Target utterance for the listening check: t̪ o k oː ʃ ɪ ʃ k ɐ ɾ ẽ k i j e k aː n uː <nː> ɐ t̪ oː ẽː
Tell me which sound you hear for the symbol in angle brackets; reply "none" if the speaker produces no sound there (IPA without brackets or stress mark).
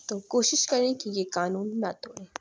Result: nː